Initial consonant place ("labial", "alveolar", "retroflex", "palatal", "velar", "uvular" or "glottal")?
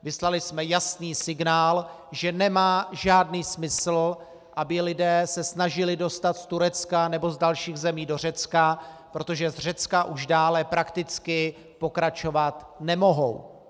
labial